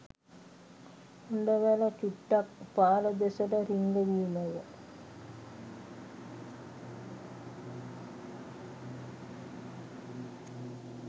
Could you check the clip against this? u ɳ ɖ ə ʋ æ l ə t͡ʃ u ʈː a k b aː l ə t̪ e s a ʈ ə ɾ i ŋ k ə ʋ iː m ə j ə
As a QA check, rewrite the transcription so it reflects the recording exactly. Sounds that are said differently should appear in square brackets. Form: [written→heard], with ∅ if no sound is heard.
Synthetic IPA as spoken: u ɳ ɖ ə ʋ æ l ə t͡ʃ u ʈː a k [b→p] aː l ə [t̪→d̪] e s [a→ə] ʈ ə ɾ i ŋ [k→ɡ] ə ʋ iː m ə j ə